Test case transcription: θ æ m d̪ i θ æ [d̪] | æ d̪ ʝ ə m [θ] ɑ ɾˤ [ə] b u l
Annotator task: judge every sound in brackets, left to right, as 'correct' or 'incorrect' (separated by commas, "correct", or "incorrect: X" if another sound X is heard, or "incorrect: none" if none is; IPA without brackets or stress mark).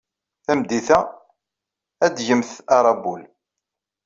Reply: incorrect: none, correct, incorrect: ɑ